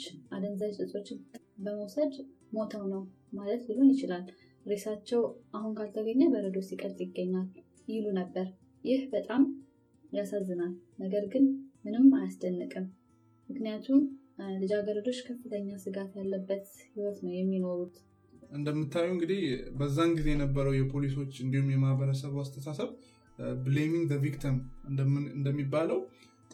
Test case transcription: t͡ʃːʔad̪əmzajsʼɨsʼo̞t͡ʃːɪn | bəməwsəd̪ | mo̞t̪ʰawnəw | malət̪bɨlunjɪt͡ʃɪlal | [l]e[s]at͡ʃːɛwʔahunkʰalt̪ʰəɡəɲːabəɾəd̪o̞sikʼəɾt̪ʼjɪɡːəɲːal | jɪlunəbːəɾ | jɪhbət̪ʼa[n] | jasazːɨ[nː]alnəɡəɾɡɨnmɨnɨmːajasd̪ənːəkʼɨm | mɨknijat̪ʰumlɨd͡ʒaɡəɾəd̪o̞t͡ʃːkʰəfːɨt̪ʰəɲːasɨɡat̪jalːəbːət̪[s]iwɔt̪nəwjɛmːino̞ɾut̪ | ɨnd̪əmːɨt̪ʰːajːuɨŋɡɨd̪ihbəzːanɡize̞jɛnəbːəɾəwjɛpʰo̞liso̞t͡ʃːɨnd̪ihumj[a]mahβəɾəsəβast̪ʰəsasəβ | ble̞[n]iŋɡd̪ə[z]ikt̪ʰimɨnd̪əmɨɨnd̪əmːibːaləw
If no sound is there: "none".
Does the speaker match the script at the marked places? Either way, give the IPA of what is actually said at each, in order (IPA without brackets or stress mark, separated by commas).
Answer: ɾ, s, m, n, h, ɛ, m, v